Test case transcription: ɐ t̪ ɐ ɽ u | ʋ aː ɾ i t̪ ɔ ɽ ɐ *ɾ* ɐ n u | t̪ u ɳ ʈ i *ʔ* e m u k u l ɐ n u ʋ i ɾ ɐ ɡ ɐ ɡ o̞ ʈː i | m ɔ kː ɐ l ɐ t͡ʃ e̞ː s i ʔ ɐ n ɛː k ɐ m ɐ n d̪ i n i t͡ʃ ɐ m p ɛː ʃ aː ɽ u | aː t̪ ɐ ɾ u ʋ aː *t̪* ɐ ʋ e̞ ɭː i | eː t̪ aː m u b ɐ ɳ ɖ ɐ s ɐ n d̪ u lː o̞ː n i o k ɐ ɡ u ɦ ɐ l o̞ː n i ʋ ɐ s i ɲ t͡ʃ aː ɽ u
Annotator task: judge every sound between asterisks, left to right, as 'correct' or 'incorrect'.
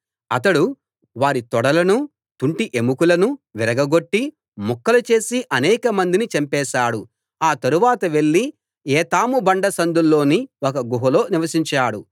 incorrect, correct, correct

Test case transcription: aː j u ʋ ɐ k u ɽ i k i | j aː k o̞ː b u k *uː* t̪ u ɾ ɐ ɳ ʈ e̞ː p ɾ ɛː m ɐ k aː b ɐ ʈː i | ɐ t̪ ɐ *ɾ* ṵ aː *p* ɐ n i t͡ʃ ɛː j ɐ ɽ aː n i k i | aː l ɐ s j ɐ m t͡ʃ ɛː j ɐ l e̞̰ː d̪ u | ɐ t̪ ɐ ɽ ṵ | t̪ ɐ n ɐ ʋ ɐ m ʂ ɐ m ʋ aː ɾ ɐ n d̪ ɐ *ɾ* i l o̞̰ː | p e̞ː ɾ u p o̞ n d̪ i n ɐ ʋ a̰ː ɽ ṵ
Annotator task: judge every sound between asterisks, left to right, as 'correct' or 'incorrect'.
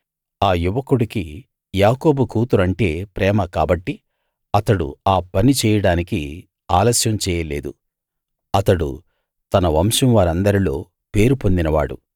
correct, incorrect, correct, correct

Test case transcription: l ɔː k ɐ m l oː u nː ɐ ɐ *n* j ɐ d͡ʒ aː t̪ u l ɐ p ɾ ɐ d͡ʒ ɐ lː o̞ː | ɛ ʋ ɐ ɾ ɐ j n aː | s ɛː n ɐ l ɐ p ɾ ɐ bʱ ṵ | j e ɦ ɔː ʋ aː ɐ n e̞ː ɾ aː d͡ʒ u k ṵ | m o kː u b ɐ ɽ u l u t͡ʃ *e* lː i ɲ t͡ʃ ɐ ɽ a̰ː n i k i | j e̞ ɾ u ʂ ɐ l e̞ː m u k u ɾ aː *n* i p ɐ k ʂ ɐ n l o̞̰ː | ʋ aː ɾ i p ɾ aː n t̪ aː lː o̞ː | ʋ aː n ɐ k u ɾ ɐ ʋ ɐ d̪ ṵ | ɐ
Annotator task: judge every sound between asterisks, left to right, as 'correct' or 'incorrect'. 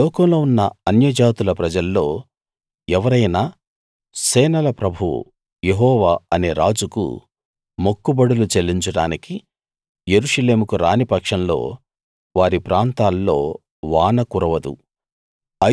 correct, correct, correct

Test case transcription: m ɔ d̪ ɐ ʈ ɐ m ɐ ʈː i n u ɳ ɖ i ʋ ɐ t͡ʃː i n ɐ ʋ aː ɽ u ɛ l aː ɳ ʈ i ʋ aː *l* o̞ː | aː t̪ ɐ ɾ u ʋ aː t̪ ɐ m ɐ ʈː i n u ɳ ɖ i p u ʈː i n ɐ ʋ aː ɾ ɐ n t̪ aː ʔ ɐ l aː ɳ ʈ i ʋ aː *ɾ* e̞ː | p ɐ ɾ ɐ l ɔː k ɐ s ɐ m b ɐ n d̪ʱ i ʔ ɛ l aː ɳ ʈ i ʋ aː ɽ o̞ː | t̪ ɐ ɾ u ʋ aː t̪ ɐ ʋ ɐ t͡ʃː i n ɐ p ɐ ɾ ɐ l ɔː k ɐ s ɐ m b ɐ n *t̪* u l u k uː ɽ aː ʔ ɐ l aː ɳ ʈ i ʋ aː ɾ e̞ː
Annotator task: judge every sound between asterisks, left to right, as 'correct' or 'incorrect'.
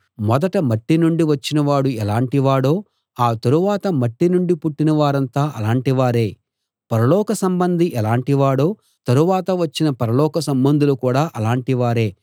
incorrect, correct, incorrect

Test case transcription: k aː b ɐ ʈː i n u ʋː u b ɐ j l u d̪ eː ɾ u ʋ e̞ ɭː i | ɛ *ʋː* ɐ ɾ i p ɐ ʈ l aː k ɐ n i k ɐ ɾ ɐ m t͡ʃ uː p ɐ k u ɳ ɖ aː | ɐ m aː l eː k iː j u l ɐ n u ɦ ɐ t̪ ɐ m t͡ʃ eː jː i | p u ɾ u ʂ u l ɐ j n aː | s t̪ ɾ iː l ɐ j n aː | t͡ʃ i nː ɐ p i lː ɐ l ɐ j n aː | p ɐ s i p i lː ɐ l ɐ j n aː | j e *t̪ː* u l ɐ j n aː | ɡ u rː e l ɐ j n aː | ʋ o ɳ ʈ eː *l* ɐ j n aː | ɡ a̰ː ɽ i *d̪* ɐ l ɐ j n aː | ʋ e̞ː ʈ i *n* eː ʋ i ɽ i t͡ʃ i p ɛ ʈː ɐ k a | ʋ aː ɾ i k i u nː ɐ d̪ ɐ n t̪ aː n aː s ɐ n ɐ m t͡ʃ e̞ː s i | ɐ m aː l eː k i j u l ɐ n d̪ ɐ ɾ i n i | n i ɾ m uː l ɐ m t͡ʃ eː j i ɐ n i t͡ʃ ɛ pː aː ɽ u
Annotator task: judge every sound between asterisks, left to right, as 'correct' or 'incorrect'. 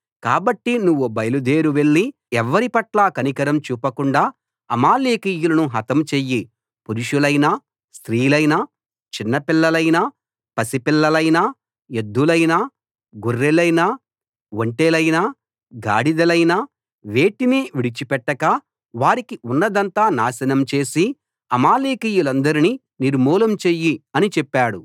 correct, incorrect, correct, correct, correct

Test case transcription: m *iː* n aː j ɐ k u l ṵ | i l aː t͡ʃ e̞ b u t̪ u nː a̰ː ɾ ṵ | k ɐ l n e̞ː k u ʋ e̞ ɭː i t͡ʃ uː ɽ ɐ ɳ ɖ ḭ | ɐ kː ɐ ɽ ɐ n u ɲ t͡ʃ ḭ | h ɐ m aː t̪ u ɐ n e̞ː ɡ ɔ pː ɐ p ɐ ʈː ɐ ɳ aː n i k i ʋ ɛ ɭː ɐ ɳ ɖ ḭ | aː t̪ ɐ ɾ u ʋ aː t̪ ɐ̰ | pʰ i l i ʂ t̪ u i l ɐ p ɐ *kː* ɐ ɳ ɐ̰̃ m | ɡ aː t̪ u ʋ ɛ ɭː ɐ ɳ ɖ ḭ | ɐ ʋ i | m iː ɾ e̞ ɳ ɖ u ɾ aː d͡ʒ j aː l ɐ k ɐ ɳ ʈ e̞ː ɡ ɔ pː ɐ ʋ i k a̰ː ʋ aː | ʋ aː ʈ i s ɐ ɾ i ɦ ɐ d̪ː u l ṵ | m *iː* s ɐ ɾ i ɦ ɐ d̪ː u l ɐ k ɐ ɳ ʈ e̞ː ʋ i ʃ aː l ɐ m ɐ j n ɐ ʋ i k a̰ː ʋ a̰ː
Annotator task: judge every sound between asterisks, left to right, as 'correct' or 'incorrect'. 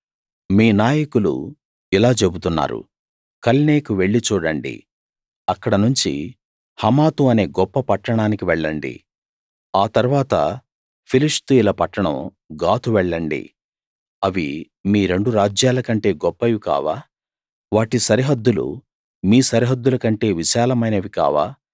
correct, incorrect, correct

